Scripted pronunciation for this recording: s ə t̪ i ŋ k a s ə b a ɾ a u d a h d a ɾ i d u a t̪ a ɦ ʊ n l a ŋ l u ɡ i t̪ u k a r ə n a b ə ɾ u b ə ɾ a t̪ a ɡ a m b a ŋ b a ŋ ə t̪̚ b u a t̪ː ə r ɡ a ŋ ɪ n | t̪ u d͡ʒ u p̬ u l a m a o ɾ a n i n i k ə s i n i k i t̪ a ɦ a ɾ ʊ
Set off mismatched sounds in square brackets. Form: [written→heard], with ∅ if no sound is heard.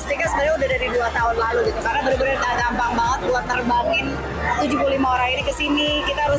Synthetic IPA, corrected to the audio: s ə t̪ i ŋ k a s ə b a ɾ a u d a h d a ɾ i d u a t̪ a ɦ ʊ n l a [ŋ→∅] l u ɡ i t̪ u k a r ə n a b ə ɾ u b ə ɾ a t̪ a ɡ a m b a ŋ b a ŋ ə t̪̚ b u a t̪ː ə r [ɡ→b] a ŋ ɪ n | t̪ u d͡ʒ u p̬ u l [a→i] m a o ɾ a [n→ŋ] i n i k ə s i n i k i t̪ a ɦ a ɾ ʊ